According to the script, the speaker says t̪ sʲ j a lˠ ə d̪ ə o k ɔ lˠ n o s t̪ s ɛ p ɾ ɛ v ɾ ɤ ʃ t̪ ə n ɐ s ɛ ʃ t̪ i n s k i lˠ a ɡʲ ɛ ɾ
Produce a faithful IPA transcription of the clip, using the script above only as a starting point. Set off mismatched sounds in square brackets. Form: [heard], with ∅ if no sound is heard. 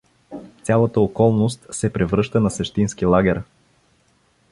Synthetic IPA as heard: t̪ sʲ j a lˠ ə [t̪] ə o k ɔ lˠ n o s t̪ s ɛ p ɾ ɛ v ɾ ɤ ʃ t̪ ə n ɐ s ɛ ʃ t̪ i n s k i lˠ a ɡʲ ɛ ɾ